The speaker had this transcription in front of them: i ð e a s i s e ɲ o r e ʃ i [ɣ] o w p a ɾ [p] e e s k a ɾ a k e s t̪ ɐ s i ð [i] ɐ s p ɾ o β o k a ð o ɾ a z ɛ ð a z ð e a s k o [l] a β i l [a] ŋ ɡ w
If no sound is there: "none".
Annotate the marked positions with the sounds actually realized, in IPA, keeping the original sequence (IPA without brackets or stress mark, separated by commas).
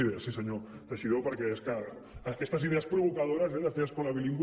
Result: ð, k, e, l, i